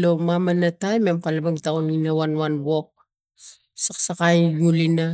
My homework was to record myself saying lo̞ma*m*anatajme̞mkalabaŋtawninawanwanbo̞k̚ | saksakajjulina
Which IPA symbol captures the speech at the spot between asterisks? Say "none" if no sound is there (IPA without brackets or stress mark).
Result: m